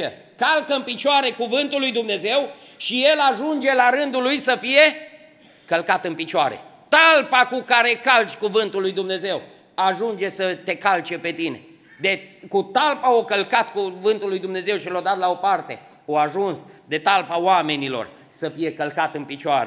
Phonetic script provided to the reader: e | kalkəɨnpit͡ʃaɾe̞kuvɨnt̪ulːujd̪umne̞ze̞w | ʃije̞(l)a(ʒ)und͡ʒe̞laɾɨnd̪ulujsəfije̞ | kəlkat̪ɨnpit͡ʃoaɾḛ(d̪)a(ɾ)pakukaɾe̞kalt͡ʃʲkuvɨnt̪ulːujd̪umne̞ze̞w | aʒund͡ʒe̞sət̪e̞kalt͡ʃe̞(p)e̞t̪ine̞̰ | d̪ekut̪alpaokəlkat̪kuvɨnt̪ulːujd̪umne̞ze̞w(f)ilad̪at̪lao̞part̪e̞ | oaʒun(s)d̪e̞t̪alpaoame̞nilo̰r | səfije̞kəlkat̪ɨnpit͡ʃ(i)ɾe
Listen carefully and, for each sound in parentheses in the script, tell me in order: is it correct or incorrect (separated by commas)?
correct, correct, incorrect, incorrect, correct, incorrect, correct, incorrect